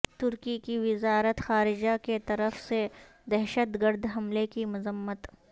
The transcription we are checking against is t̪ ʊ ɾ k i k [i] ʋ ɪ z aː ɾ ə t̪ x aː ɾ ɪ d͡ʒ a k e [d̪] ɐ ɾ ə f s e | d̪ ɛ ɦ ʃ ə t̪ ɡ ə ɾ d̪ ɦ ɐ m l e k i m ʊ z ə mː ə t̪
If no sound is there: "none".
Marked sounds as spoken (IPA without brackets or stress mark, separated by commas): i, t̪